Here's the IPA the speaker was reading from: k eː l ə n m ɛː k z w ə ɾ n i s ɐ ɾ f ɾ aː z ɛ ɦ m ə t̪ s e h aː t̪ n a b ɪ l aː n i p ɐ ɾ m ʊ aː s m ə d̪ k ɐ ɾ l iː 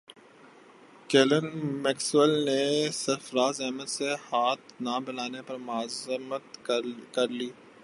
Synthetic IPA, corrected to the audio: k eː l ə n m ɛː k s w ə l n e s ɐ ɾ f ɾ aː z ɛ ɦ m ə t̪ s e h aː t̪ n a b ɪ l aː n e p ɐ ɾ m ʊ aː z m ə t̪ k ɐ ɾ l iː